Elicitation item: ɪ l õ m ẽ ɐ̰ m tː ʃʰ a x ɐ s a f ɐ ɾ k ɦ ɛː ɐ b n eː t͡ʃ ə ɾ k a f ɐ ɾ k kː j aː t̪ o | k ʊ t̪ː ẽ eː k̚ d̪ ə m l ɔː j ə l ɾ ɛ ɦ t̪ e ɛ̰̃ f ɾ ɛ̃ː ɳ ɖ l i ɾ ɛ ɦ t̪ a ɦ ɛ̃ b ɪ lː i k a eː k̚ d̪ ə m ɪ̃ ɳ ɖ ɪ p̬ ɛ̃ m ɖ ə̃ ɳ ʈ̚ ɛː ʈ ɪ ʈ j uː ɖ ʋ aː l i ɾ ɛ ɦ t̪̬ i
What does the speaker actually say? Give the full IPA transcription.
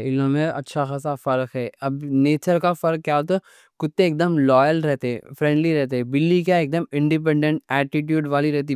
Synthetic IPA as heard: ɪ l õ m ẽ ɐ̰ tː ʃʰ a x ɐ s a f ɐ ɾ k ɦ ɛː ɐ b n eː t͡ʃ ə ɾ k a f ɐ ɾ k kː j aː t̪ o | k ʊ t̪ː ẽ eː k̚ d̪ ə m l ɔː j ə l ɾ ɛ ɦ t̪ e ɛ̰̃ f ɾ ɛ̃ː ɳ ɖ l i ɾ ɛ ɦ t̪ e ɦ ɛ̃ b ɪ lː i k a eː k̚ d̪ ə m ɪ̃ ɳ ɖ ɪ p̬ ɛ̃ ɳ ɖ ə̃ ɳ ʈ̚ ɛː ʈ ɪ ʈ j uː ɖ ʋ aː l i ɾ ɛ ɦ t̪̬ i